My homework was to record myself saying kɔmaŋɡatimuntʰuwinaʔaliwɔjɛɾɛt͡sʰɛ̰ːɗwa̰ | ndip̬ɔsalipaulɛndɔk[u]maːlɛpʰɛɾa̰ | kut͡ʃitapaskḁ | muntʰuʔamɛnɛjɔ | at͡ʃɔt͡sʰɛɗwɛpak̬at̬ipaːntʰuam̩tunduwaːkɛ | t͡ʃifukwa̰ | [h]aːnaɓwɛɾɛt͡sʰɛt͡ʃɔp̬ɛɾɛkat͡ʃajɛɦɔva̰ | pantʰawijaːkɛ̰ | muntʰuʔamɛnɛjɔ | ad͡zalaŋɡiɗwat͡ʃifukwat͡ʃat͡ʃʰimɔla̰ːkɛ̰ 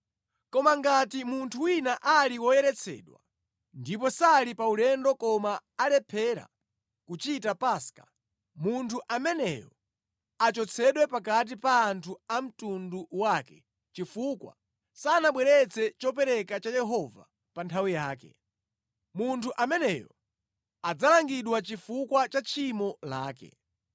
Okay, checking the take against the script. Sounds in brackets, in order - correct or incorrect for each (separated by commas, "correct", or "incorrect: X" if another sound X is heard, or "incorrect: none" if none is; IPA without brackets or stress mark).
incorrect: ɔ, incorrect: s